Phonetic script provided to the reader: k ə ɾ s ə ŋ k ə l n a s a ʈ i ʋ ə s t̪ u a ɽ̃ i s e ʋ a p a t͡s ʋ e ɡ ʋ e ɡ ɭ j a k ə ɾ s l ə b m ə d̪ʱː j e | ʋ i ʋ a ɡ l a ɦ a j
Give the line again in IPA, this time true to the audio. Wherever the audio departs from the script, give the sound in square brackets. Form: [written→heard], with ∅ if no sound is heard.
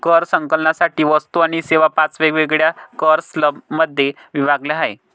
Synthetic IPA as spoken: k ə ɾ s ə ŋ k ə l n a s a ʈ [i→iː] ʋ ə s t̪ u a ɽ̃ i s e ʋ a p a t͡s ʋ e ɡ ʋ e ɡ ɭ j a k ə ɾ s l ə b m ə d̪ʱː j e | ʋ i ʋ a ɡ l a ɦ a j